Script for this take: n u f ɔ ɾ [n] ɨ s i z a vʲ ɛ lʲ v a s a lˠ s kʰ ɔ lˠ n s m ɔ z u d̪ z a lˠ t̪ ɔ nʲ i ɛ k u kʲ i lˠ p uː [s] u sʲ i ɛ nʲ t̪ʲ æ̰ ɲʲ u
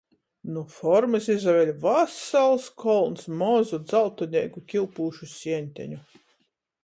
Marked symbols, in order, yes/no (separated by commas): no, no